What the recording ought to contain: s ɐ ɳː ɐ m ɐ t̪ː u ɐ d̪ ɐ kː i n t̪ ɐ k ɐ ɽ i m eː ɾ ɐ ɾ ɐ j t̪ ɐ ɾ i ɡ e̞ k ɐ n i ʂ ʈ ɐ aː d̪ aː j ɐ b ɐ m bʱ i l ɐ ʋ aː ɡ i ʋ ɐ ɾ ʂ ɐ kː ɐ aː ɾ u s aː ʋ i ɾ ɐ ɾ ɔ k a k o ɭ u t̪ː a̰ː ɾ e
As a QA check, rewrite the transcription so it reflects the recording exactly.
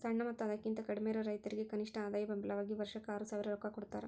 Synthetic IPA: s ɐ ɳː ɐ m ɐ t̪ː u ɐ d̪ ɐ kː i n t̪ ɐ k ɐ ɽ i m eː ɾ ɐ ɾ ɐ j t̪ ɐ ɾ i ɡ e̞ k ɐ n i ʂ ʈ ɐ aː d̪ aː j ɐ b ɐ m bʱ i l ɐ ʋ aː ɡ i ʋ ɐ ɾ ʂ ɐ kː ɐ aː ɾ u s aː ʋ i ɾ ɐ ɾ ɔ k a k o ɽ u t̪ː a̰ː ɾ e